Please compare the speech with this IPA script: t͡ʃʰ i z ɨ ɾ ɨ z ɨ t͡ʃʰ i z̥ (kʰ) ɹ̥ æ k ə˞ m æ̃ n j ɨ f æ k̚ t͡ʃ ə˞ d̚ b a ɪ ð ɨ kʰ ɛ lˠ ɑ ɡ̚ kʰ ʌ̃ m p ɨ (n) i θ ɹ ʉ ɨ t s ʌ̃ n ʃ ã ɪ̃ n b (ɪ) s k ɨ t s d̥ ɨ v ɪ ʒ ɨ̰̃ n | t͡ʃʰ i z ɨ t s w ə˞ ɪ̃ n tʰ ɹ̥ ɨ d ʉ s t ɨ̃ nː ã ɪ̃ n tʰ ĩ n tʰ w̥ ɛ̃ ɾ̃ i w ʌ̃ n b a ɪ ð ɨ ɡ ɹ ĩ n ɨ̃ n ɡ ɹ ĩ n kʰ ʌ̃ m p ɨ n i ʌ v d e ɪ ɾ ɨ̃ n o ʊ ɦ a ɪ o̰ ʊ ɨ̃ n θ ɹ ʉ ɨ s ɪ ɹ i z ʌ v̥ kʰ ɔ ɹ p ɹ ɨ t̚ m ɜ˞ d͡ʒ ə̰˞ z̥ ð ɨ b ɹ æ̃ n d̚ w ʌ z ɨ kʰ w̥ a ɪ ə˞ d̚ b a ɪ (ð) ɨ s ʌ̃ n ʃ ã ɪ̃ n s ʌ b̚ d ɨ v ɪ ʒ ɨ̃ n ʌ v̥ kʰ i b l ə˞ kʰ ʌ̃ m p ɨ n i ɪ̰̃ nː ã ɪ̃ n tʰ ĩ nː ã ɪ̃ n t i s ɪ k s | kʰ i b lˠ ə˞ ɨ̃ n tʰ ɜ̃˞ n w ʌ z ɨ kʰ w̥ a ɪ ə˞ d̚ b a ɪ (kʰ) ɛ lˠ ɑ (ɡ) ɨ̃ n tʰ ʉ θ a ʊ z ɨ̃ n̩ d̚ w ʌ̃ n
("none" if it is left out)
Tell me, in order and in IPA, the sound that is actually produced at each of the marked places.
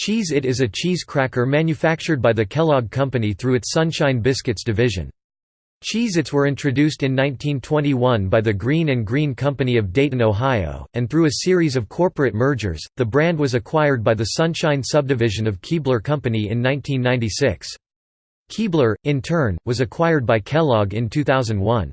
kʰ, n, ɪ, ð, kʰ, ɡ

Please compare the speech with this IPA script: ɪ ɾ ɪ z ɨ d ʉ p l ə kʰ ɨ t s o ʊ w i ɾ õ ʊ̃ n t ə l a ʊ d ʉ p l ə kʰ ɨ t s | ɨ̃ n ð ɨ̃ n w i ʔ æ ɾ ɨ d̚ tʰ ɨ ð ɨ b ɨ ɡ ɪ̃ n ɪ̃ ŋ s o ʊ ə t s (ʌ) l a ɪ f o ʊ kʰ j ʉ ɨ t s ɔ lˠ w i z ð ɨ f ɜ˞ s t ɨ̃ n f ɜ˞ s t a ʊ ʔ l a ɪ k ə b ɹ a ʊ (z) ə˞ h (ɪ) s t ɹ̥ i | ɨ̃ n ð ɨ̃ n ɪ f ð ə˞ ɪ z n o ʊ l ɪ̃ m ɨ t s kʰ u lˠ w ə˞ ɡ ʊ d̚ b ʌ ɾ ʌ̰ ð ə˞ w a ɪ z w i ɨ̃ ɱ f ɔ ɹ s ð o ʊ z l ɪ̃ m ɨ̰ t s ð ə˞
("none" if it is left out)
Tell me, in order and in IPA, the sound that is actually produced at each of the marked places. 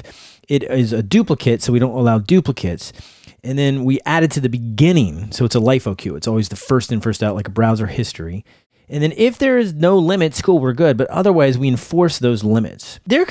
ə, z, ɪ

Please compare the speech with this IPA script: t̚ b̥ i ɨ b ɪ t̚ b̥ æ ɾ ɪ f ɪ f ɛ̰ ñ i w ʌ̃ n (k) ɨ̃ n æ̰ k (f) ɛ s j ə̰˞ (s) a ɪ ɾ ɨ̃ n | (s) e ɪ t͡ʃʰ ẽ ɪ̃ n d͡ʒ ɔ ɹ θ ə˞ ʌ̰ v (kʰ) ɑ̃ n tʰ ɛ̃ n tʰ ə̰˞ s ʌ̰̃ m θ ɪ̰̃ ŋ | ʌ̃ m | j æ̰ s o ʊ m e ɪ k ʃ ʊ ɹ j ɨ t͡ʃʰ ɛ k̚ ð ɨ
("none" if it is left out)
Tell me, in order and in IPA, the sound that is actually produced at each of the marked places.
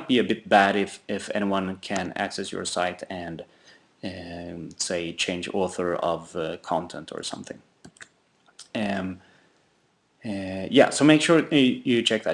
kʰ, s, s, s, kʰ

